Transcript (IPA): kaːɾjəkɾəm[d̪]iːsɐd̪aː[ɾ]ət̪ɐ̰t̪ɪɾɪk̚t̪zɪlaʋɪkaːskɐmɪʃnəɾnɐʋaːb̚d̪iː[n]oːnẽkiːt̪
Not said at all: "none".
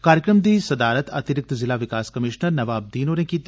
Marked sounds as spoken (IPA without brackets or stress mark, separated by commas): d̪, ɾ, n